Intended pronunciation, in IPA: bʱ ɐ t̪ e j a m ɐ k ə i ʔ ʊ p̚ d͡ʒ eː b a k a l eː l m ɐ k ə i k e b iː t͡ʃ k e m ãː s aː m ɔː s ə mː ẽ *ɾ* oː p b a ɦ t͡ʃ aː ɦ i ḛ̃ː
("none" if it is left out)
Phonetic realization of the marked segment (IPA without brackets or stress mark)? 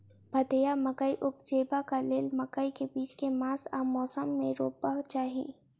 ɾ